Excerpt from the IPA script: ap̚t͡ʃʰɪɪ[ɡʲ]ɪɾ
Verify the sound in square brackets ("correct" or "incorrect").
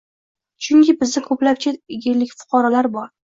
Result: correct